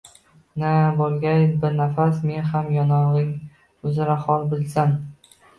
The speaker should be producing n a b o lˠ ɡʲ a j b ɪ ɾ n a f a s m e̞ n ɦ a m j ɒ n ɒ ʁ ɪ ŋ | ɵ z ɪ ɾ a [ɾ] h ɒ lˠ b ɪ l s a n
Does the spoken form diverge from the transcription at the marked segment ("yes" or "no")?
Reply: yes